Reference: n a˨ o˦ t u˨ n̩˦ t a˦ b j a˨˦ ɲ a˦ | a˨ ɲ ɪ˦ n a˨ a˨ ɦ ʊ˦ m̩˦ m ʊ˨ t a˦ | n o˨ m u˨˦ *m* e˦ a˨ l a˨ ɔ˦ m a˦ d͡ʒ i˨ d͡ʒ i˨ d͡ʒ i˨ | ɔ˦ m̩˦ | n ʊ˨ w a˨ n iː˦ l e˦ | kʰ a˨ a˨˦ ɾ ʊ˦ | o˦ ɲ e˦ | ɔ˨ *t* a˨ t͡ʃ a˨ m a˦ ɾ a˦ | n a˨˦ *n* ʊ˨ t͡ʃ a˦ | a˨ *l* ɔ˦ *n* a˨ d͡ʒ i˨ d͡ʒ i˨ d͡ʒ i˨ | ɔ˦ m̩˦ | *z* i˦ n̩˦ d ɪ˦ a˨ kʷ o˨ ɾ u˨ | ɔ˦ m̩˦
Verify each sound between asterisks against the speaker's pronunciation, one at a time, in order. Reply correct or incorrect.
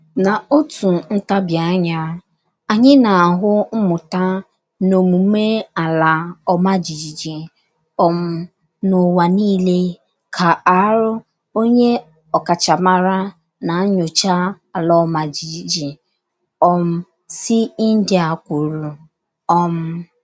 correct, incorrect, incorrect, correct, incorrect, incorrect

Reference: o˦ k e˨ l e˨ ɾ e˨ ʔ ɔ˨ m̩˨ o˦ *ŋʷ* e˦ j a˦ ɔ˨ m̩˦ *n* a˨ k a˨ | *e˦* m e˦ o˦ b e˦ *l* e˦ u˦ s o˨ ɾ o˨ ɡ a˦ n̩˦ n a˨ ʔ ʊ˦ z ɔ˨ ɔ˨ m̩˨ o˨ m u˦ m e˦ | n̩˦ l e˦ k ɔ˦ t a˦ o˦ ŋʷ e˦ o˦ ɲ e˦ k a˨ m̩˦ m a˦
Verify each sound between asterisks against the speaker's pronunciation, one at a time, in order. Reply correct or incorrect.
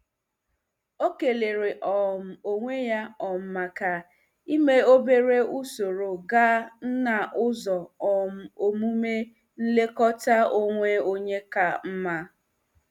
correct, incorrect, incorrect, incorrect

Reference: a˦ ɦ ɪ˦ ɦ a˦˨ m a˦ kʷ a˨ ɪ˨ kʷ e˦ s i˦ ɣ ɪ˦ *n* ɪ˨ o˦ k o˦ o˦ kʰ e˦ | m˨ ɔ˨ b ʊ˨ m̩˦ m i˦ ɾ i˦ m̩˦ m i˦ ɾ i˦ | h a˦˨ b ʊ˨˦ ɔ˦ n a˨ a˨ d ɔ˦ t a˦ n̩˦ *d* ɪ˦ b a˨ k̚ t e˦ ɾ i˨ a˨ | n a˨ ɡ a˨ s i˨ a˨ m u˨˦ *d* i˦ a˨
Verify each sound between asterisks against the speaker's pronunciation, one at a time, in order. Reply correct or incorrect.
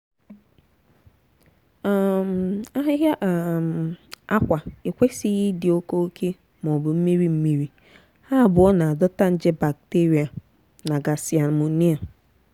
incorrect, incorrect, incorrect

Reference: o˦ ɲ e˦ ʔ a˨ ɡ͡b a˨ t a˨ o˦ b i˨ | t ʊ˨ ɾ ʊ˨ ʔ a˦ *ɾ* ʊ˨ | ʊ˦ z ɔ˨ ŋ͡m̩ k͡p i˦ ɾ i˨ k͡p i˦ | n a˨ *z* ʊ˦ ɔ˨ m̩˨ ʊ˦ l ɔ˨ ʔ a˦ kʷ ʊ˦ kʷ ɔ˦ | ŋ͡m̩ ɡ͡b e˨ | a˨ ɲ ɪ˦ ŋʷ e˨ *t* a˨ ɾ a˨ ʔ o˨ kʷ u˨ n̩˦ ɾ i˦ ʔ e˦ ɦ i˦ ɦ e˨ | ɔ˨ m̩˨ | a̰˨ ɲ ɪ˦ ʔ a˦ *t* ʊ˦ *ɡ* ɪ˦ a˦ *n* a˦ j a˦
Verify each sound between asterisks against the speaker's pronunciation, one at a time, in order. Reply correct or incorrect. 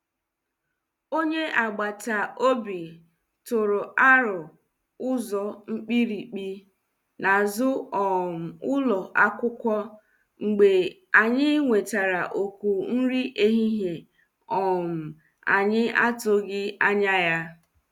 correct, correct, correct, correct, correct, incorrect

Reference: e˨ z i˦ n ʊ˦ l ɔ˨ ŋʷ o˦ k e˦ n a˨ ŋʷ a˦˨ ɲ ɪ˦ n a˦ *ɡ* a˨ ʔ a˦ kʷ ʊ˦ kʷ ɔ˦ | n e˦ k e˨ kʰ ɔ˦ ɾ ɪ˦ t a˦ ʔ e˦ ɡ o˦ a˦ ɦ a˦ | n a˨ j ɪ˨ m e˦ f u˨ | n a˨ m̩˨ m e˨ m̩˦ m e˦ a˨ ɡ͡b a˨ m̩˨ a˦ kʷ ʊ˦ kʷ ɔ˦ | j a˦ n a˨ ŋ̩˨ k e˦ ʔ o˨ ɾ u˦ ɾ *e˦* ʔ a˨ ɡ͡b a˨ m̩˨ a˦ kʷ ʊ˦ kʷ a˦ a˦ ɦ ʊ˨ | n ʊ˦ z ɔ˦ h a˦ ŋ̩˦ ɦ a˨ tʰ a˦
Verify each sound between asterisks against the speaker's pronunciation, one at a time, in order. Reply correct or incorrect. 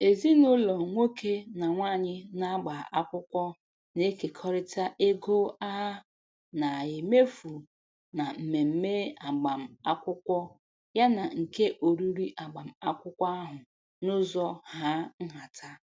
incorrect, incorrect

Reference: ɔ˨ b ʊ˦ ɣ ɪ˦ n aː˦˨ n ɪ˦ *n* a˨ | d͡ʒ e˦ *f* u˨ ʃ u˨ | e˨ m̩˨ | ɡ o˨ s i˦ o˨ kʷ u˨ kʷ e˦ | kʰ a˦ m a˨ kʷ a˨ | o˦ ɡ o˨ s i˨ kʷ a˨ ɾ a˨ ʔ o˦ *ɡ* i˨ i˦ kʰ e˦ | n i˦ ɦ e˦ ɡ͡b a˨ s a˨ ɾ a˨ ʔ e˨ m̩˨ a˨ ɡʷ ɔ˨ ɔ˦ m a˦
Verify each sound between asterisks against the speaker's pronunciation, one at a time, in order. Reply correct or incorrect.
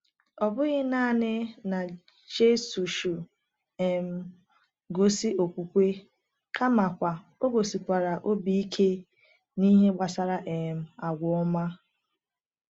correct, incorrect, incorrect

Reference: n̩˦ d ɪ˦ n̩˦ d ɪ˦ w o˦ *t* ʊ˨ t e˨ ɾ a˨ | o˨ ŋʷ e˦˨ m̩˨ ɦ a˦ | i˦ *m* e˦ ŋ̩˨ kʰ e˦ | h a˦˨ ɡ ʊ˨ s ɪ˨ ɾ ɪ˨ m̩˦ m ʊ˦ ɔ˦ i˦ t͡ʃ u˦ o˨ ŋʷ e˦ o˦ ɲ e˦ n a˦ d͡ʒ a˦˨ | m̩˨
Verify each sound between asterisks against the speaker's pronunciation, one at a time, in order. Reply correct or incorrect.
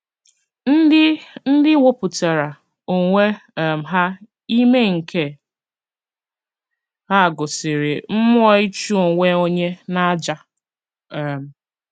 incorrect, correct

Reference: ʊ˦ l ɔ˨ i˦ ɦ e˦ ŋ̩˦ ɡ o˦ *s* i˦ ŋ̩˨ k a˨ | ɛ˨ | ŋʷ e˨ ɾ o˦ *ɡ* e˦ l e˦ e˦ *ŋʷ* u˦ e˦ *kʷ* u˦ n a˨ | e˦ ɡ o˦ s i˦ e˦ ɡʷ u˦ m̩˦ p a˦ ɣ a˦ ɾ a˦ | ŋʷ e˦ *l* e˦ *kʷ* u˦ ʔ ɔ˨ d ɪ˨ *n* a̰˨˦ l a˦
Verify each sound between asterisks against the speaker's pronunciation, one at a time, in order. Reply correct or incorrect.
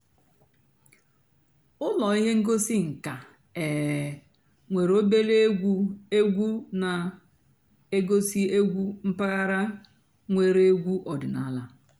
correct, incorrect, incorrect, incorrect, incorrect, incorrect, correct

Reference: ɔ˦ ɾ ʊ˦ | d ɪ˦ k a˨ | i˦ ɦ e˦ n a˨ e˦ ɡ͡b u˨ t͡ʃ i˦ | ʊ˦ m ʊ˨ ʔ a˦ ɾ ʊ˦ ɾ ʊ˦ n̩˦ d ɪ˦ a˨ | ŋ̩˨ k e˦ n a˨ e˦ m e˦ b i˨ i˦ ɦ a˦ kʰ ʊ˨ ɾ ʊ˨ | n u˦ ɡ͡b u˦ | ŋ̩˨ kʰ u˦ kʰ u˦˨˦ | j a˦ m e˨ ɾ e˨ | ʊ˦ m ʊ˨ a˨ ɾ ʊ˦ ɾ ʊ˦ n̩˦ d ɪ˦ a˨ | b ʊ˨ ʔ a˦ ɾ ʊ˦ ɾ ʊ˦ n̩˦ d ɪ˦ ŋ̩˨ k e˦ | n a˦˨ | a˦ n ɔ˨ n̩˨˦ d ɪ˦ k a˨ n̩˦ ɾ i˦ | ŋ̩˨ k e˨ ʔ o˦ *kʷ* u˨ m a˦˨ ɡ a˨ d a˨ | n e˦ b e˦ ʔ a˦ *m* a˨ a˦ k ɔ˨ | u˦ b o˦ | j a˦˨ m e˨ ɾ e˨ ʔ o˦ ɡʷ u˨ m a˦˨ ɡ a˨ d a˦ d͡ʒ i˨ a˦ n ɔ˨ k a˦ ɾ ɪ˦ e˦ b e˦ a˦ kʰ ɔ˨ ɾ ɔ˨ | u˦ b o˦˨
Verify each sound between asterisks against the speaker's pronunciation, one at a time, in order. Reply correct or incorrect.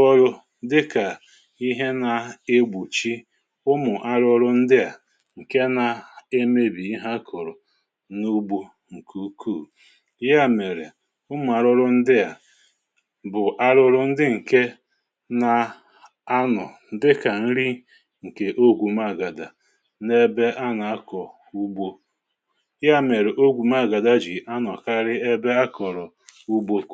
incorrect, incorrect

